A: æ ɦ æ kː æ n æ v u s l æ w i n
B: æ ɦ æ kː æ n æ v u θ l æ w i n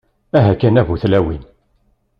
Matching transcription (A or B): B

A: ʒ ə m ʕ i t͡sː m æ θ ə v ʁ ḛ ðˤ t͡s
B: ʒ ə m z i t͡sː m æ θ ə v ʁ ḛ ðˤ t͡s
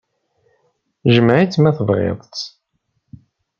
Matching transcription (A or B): A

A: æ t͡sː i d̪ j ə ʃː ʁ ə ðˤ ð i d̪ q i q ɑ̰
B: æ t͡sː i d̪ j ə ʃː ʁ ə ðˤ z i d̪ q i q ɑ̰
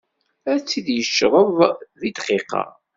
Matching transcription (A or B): A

